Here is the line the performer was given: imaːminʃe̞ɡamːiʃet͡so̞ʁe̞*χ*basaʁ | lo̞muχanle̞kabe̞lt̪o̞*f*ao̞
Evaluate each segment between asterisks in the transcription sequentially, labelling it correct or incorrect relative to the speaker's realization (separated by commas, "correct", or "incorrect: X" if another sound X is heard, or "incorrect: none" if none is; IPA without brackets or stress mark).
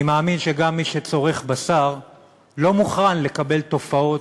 correct, correct